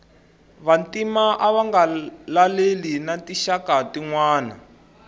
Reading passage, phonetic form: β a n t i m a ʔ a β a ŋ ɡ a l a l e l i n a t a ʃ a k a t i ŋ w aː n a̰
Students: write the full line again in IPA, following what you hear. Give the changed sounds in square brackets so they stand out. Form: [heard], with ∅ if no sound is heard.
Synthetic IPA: β a n t i m a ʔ a β a ŋ ɡ a l a l e l i n a t [i] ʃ a k a t i ŋ w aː n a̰